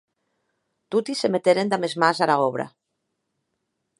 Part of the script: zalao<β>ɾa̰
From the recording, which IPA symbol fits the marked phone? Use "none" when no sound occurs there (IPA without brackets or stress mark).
β